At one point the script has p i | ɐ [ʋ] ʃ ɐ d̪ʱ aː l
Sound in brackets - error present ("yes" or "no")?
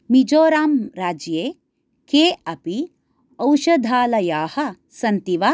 yes